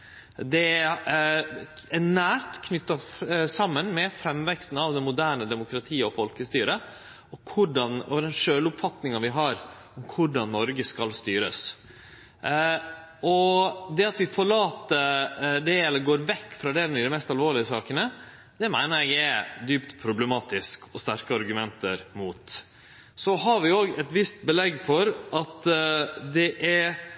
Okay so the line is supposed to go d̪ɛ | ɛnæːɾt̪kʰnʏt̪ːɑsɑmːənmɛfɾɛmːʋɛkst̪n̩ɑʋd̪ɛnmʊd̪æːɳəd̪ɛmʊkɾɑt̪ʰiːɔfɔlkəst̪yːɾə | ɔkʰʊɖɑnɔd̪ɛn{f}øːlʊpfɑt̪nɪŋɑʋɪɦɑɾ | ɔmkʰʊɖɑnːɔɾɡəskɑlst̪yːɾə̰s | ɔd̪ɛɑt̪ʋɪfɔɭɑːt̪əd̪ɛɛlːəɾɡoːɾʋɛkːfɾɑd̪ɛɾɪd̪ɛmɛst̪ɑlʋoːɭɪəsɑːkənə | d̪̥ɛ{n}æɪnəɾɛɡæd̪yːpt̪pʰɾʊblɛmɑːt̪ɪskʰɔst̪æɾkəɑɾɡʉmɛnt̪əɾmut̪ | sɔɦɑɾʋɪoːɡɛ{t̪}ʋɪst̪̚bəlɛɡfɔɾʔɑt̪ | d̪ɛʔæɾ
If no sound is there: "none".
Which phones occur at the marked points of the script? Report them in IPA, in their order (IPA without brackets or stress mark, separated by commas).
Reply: ʂ, m, t̪